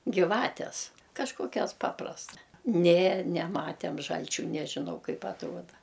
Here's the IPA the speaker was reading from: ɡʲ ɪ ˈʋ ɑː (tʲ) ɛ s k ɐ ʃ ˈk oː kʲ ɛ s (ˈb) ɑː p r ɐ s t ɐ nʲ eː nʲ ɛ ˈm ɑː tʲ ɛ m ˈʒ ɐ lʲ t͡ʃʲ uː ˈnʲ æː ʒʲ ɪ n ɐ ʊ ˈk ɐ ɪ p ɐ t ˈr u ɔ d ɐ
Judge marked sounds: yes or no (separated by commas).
yes, no